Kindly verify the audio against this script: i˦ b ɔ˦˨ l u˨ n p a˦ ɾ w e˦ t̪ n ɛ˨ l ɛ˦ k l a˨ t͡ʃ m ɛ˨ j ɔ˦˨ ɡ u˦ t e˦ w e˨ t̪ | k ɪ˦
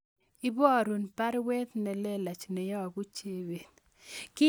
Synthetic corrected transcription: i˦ b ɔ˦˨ ɾ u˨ n p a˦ ɾ w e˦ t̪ n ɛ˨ l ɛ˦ l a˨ t͡ʃ n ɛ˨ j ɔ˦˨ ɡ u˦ t͡ʃ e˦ w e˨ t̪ | k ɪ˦